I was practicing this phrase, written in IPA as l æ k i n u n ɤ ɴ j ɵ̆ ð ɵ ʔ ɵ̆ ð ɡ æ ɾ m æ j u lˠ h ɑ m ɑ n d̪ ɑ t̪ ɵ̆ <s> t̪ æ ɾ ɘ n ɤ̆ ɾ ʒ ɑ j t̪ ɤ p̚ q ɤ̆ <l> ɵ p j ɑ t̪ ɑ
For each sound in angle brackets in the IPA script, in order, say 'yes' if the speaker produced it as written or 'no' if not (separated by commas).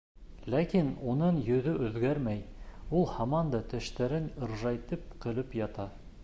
no, yes